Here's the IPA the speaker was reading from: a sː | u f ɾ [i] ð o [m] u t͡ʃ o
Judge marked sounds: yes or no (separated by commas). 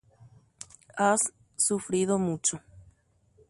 yes, yes